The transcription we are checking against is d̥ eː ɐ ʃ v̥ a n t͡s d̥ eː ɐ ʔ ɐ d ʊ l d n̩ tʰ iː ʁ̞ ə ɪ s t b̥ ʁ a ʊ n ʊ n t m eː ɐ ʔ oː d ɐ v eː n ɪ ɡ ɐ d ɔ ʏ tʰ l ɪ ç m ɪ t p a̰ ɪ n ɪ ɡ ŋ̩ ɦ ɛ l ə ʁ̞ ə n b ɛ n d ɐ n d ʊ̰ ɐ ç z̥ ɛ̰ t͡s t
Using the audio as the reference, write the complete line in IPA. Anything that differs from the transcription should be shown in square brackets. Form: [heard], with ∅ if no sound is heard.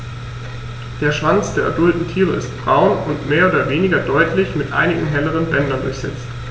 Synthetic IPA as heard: d̥ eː ɐ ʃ v̥ a n t͡s d̥ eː ɐ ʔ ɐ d ʊ l [t] n̩ tʰ iː ʁ̞ ə ɪ s t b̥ ʁ a ʊ n ʊ n t m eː ɐ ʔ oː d ɐ v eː n ɪ ɡ ɐ d ɔ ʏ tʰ l ɪ ç m ɪ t [ʔ] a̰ ɪ n ɪ ɡ ŋ̩ ɦ ɛ l ə ʁ̞ ə n b ɛ n d ɐ n d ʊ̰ ɐ ç z̥ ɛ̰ t͡s t